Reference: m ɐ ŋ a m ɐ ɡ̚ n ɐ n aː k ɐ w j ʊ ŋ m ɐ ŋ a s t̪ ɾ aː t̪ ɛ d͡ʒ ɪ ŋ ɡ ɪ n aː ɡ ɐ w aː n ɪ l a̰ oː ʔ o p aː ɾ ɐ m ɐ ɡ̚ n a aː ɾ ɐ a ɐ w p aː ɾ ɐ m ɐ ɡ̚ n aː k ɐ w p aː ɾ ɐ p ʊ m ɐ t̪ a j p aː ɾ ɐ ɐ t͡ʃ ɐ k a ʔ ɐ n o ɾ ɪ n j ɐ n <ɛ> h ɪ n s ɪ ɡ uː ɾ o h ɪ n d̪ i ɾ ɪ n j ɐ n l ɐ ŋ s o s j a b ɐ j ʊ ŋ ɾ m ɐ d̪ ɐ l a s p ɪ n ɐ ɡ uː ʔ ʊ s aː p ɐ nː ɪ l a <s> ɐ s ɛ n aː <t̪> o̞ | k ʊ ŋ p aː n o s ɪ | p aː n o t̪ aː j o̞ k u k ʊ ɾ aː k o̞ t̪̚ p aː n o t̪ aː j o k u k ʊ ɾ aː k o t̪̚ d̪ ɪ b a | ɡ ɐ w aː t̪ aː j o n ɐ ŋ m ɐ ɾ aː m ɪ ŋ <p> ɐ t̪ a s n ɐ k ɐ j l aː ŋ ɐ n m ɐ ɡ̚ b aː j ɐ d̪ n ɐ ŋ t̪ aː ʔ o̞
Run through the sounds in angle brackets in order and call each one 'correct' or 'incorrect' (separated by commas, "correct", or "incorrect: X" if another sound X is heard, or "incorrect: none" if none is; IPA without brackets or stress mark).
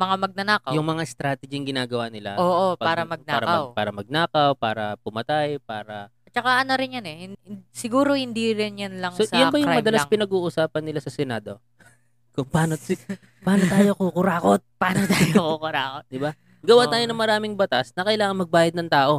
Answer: correct, correct, incorrect: d̪, incorrect: b